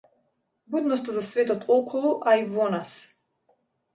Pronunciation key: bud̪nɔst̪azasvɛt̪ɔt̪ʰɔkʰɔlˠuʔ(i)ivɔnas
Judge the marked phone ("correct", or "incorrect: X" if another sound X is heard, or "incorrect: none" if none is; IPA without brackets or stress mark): incorrect: a